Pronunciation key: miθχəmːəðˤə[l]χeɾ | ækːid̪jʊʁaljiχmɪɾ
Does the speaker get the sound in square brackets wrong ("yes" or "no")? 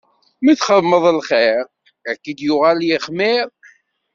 no